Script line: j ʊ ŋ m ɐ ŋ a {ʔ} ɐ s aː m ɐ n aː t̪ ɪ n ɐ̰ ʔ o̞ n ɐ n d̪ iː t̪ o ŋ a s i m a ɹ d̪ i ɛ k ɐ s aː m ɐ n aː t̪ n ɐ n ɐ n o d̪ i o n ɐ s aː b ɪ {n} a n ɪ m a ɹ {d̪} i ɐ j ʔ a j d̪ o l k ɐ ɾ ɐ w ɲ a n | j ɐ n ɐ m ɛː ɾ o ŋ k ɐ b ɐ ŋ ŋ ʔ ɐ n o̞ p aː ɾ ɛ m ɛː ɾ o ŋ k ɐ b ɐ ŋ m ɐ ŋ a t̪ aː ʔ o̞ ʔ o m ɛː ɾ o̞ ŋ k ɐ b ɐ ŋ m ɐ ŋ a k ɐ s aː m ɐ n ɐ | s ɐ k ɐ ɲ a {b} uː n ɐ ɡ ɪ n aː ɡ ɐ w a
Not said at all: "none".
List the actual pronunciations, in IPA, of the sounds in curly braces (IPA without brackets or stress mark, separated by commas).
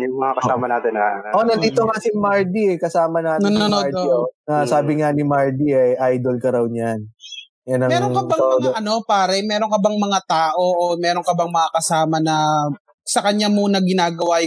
k, ŋ, d̪, m